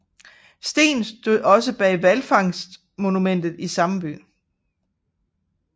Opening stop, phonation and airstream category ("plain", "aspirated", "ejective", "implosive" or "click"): plain